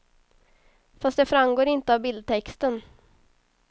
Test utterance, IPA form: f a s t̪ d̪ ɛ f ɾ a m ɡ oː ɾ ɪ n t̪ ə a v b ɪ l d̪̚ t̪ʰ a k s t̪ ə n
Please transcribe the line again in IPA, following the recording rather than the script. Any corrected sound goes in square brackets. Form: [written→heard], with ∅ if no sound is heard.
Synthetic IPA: f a s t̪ d̪ ɛ f ɾ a m ɡ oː ɾ ɪ n t̪ ə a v b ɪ l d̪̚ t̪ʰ [a→ɛ] k s t̪ ə n